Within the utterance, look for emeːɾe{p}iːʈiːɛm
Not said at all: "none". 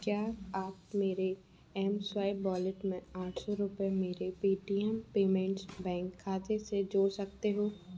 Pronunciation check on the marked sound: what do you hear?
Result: p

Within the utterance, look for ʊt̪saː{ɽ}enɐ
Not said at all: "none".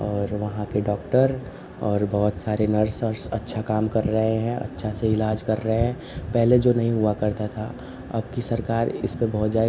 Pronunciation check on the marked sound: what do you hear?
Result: ɾ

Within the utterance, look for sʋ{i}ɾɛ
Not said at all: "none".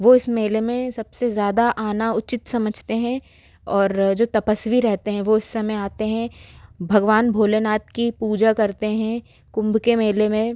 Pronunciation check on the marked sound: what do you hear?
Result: i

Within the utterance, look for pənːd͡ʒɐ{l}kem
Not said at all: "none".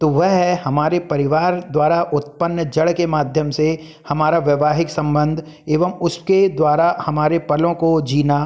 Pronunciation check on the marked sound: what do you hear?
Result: ɽ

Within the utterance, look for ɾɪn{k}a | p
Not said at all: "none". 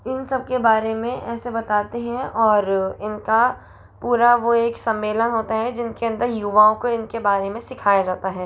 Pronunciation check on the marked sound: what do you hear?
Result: k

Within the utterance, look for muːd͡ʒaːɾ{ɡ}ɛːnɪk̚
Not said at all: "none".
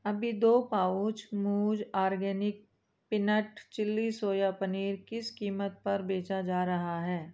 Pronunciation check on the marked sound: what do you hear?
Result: ɡ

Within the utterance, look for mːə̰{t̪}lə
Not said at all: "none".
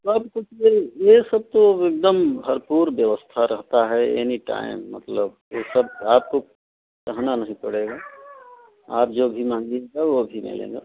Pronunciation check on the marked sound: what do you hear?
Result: t̪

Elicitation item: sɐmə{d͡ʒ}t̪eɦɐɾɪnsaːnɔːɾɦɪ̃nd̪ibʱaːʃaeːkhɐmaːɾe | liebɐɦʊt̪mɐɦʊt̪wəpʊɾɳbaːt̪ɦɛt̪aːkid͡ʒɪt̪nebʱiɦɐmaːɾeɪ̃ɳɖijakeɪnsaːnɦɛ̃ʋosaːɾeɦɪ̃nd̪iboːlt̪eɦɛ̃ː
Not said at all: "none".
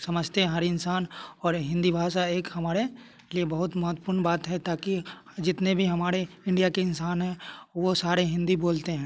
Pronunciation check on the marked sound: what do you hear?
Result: d͡ʒ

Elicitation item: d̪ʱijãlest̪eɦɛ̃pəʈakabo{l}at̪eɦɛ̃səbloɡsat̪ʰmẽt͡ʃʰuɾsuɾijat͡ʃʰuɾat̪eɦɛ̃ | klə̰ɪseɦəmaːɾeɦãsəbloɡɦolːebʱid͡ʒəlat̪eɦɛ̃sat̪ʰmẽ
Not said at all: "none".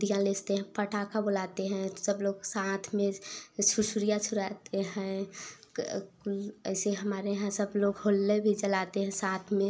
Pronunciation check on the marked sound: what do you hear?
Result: l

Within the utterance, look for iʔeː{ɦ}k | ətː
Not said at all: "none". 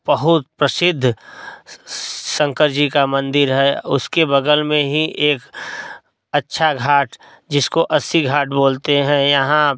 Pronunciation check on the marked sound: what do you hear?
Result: none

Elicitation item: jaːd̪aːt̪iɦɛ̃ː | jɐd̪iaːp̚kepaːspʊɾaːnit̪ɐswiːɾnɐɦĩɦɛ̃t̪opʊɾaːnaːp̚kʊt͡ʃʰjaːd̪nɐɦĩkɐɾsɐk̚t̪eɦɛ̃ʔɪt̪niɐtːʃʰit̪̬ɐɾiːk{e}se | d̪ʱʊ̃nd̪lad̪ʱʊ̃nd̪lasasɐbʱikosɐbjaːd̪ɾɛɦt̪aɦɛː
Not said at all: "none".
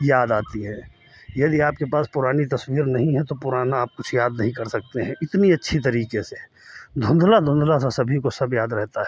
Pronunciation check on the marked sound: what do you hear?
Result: e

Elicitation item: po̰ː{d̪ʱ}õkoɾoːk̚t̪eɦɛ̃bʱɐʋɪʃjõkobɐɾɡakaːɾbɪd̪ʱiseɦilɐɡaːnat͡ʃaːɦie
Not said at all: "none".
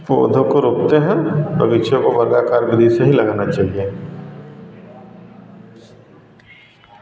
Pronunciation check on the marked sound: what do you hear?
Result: d̪ʱ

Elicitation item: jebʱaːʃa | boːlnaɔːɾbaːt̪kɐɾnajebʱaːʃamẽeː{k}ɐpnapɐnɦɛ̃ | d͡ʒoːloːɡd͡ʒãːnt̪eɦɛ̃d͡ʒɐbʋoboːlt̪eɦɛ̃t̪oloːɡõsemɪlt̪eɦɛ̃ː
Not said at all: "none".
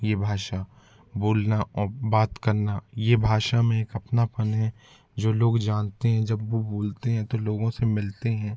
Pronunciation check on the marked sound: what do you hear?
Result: k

